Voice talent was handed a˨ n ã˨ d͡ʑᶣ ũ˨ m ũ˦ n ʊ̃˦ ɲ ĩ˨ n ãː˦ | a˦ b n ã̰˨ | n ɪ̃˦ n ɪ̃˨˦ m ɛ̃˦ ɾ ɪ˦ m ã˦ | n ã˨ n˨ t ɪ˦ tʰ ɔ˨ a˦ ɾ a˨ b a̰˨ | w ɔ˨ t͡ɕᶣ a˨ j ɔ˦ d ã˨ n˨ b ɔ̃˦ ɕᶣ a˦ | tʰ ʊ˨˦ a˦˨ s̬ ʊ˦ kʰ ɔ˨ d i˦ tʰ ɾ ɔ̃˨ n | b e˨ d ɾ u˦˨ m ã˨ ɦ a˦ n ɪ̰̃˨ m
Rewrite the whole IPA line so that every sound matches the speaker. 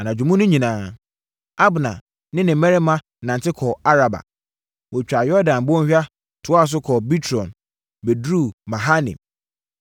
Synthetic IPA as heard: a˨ n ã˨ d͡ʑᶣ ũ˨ m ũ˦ n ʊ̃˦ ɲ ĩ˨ n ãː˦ | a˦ b n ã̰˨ | n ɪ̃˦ n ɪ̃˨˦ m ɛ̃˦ ɾ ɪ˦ m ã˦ | n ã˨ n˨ t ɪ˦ kʰ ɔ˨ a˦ ɾ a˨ b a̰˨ | w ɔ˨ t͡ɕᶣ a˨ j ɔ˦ d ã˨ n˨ b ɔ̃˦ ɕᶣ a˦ | tʰ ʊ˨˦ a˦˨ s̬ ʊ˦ kʰ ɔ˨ b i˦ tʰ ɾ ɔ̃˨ n | b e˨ d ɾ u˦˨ m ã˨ ɦ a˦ n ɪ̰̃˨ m